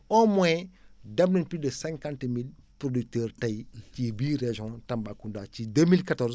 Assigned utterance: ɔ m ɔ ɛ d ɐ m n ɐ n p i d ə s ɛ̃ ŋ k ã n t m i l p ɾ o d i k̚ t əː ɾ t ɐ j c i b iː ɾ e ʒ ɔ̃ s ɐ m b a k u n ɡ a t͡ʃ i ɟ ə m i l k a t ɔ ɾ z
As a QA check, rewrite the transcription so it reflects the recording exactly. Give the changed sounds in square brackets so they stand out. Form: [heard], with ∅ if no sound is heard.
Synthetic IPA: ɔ m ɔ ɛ d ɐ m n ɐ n p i d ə s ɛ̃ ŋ k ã n t m i l p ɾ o d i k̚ t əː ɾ t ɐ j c i b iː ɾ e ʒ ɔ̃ [t] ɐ m b a k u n [d] a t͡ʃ i [d] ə m i l k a t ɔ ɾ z